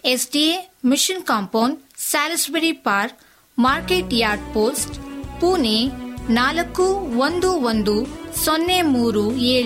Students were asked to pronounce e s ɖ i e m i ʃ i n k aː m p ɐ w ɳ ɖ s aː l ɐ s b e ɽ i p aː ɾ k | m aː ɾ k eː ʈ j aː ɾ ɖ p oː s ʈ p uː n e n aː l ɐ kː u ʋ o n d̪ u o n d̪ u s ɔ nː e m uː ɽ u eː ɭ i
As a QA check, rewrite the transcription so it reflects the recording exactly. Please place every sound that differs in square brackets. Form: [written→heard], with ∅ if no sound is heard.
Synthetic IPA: e s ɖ i e m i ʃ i n k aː m p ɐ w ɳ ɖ s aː l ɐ s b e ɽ i p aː ɾ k | m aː ɾ k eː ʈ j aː ɾ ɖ p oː s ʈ p uː n e n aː l ɐ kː u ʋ o n d̪ u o n d̪ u s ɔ nː e m uː [ɽ→ɾ] u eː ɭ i